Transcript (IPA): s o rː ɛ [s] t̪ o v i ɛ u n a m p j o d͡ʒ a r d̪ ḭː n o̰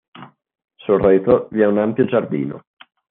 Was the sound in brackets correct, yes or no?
no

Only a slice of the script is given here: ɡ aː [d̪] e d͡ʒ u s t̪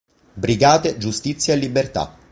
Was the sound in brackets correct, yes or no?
no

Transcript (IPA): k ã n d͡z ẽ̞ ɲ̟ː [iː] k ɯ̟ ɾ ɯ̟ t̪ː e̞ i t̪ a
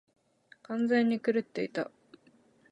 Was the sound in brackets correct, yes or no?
no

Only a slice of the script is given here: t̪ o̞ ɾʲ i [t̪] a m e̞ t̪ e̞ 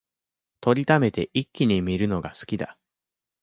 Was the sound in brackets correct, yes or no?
yes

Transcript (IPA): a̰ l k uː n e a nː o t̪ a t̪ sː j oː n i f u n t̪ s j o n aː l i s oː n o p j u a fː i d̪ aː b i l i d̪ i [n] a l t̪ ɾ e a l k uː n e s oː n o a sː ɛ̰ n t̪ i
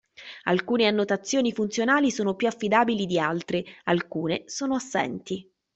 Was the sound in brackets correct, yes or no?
no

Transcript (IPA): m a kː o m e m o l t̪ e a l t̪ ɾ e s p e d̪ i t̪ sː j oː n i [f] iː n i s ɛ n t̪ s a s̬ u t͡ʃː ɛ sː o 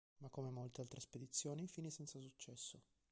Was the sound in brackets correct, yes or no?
yes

